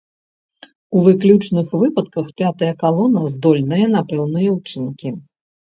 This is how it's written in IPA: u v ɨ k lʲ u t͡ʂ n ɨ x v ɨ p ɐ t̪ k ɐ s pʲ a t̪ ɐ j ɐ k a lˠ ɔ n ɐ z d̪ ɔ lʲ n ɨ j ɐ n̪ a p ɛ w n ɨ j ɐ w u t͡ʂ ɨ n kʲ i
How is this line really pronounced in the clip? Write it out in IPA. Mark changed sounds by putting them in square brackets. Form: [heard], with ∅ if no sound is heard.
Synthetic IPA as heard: u v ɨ k lʲ u t͡ʂ n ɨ x v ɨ p ɐ t̪ k ɐ [x] pʲ a t̪ ɐ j ɐ k a lˠ ɔ n ɐ z d̪ ɔ lʲ n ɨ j ɐ n̪ a p ɛ w n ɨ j ɐ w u t͡ʂ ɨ n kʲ i